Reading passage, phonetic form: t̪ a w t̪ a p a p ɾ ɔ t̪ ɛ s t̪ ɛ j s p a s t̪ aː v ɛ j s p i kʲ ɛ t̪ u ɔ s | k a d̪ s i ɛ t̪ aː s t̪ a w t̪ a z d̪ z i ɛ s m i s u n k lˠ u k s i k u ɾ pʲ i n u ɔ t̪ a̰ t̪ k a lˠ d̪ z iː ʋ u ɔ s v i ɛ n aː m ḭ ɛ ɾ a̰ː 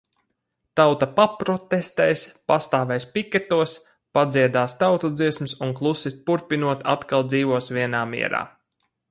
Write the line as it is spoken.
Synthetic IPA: t̪ a w t̪ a p a p ɾ ɔ t̪ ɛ s t̪ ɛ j s p a s t̪ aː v ɛ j s p i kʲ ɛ t̪ u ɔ s | p a d̪ z i ɛ d̪ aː s t̪ a w t̪ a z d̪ z i ɛ s m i s u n k lˠ u s i p u ɾ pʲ i n u ɔ t̪ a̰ t̪ k a lˠ d̪ z iː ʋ u ɔ s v i ɛ n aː m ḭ ɛ ɾ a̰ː